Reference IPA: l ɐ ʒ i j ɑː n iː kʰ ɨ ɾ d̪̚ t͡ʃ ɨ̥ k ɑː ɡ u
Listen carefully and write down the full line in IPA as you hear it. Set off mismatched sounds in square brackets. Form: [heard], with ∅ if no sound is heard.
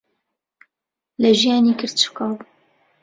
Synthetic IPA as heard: l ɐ ʒ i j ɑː n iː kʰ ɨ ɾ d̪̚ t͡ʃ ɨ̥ k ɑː [b] u

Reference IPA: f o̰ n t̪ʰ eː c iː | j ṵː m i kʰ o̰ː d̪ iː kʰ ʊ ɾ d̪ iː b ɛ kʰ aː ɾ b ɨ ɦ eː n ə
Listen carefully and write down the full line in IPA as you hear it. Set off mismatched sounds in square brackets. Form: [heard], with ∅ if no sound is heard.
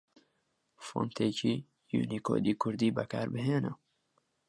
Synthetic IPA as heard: f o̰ n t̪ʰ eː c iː | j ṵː [n] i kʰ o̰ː d̪ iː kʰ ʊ ɾ d̪ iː b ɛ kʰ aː ɾ b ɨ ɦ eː n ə

